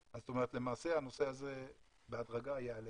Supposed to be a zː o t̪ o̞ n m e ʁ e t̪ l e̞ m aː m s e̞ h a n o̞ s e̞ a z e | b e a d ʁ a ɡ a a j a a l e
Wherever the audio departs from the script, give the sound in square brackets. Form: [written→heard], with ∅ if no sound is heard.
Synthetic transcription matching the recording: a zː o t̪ o̞ [n→∅] m e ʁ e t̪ l e̞ m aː [m→∅] s e̞ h a n o̞ s e̞ a z e | b e a d ʁ a ɡ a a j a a l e

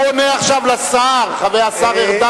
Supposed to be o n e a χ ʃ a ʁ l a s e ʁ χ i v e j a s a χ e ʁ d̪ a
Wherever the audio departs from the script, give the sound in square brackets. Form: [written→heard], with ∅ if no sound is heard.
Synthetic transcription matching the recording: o n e a χ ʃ a [ʁ→v] l a s [e→a] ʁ χ [i→a] v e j a s a [χ→ʁ] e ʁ d̪ a

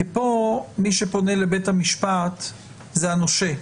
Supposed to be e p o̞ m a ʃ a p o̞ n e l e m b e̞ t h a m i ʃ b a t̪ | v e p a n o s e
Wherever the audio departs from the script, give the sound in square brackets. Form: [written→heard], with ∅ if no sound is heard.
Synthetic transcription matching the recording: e p o̞ m [a→i] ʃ [a→e] p o̞ n e l e [m→∅] b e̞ t h a m i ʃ [b→p] a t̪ | [v→z] e [p→∅] a n o [s→ʃ] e

